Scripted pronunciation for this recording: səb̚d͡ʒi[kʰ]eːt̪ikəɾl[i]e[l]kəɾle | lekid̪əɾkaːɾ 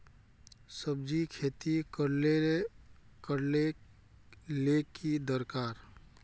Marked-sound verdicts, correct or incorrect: correct, incorrect: e, incorrect: none

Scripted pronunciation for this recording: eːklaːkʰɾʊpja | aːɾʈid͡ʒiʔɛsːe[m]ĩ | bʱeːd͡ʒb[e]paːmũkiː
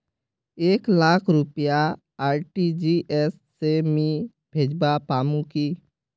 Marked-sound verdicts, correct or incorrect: correct, incorrect: a

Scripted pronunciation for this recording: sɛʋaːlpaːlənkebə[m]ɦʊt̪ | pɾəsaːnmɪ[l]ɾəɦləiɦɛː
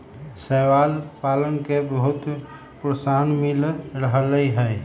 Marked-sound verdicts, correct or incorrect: incorrect: none, correct

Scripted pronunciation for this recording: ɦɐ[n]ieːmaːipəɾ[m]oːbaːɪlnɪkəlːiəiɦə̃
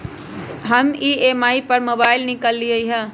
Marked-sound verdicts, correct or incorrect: incorrect: m, correct

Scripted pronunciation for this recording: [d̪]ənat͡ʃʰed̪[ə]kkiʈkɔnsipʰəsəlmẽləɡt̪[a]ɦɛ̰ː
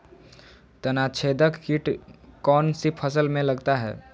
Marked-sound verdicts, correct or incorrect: incorrect: t̪, correct, correct

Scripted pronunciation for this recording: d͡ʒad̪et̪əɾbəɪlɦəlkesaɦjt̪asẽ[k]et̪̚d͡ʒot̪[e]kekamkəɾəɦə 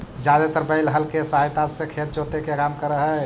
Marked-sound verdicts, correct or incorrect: incorrect: kʰ, correct

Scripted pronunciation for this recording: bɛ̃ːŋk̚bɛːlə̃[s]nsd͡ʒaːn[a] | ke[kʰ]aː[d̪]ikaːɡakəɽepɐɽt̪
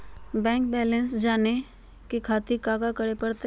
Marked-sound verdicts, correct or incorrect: incorrect: none, incorrect: e, correct, incorrect: t̪

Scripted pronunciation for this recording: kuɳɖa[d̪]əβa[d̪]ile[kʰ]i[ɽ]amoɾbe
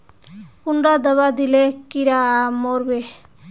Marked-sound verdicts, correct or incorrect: correct, correct, incorrect: k, incorrect: ɾ

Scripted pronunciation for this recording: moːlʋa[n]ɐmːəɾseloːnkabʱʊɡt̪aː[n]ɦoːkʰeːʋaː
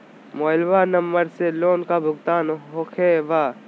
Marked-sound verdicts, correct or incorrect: correct, correct

